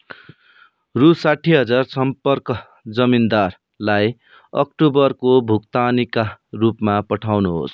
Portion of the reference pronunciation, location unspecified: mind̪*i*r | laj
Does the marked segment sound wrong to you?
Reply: yes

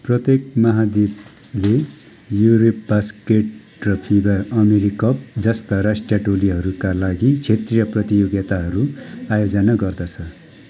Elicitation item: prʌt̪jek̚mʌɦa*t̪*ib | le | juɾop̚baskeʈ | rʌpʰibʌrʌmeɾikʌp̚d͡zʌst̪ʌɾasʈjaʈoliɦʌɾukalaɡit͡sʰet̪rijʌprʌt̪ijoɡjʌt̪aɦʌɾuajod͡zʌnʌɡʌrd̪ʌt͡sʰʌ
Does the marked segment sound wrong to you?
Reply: yes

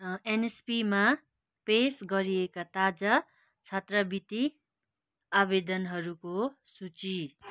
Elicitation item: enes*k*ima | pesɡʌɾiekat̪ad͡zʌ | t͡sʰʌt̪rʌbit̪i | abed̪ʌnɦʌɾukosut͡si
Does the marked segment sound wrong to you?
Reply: yes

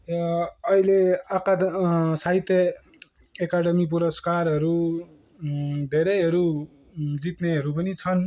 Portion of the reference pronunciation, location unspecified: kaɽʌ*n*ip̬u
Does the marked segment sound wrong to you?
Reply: yes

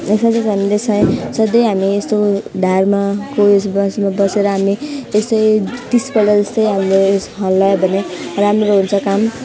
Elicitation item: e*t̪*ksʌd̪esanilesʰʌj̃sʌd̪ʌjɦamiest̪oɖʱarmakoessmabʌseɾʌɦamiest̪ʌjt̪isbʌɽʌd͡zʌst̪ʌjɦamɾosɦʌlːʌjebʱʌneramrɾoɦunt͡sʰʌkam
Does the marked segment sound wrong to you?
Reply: yes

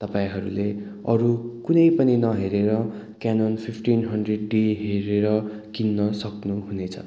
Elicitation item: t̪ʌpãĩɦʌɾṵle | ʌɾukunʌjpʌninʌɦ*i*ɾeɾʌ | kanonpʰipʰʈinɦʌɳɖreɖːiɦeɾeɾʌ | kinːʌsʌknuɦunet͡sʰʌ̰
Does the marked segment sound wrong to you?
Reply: yes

